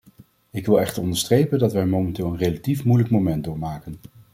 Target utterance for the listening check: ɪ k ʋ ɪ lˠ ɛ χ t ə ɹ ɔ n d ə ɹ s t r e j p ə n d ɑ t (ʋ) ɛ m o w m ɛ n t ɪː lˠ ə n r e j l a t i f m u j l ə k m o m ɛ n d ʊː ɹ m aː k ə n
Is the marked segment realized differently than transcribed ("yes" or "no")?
no